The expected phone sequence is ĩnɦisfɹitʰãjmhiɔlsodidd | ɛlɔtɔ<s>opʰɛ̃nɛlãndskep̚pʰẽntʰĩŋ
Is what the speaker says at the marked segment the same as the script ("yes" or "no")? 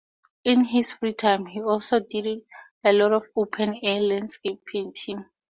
no